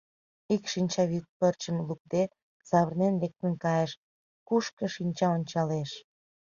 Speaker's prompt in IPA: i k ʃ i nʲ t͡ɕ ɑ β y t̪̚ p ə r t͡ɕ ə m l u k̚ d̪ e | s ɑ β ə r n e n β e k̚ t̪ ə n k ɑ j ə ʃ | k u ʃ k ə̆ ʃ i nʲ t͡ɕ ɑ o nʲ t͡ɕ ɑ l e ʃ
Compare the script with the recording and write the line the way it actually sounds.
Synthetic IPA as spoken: i k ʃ i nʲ t͡ɕ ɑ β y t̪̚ p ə r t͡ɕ ə m l u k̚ d̪ e | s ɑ β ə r n e n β e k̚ t̪ ə n k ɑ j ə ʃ | k u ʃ k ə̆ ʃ i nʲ t͡ɕ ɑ o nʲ t͡ɕ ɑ l e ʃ